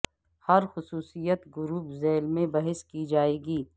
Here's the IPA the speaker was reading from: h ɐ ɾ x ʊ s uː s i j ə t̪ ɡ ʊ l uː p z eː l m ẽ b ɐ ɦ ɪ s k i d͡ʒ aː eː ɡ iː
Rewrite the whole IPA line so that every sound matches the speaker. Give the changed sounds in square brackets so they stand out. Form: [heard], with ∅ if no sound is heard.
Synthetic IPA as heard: h ɐ ɾ x ʊ s uː s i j ə t̪ ɡ ʊ [ɾ] uː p z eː l m ẽ b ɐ ɦ ɪ s k i d͡ʒ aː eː ɡ iː

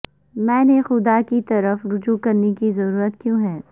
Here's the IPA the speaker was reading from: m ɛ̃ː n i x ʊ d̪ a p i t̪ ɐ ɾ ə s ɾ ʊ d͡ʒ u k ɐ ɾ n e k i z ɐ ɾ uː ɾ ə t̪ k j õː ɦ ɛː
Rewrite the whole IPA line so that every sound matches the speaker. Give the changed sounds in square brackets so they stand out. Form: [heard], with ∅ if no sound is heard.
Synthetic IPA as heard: m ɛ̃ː n [e] x ʊ d̪ a [k] i t̪ ɐ ɾ ə [f] ɾ ʊ d͡ʒ u k ɐ ɾ n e k i z ɐ ɾ uː ɾ ə t̪ k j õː ɦ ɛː

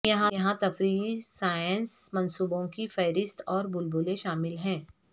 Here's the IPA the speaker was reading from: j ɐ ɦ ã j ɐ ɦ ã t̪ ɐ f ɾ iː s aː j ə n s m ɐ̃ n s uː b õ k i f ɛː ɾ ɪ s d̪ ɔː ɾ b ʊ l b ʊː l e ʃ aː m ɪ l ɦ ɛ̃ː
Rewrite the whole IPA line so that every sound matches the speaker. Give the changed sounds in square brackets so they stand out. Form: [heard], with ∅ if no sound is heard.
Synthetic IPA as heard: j ɐ ɦ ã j ɐ ɦ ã t̪ ɐ f ɾ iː s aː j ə n s m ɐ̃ n s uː b õ k i f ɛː ɾ ɪ s [t̪] ɔː ɾ b ʊ l b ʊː l e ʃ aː m ɪ l ɦ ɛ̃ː

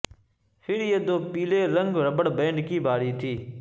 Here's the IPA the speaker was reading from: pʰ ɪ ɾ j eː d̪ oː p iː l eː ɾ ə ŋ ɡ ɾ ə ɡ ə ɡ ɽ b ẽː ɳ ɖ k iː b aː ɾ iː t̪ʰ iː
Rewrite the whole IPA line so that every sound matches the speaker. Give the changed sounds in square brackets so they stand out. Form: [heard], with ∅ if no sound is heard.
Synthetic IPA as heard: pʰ ɪ ɾ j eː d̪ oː p iː l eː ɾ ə ŋ ɡ ɾ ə [b] ə [∅] ɽ b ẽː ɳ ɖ k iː b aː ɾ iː t̪ʰ iː

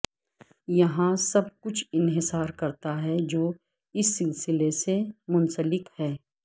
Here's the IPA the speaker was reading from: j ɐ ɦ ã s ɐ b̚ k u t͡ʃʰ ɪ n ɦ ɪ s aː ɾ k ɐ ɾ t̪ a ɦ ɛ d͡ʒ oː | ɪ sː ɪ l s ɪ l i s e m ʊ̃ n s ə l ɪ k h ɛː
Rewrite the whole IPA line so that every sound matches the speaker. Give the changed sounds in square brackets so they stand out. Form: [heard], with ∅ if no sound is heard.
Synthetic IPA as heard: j ɐ ɦ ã s ɐ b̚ k [ʊ] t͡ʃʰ ɪ n ɦ ɪ s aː ɾ k ɐ ɾ t̪ a ɦ ɛ d͡ʒ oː | ɪ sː ɪ l s ɪ l [e] s e m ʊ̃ n s ə l ɪ k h ɛː

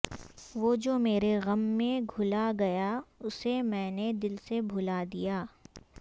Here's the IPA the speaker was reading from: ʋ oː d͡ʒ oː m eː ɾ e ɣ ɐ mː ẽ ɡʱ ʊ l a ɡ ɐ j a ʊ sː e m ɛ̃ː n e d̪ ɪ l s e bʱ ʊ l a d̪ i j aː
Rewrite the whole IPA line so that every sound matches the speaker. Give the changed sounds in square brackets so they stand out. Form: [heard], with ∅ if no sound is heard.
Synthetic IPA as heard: ʋ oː d͡ʒ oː m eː ɾ e ɣ ɐ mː ẽ ɡʱ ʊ l a ɡ ɐ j a ʊ [s] e m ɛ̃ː n e d̪ ɪ l s e bʱ ʊ l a d̪ i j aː

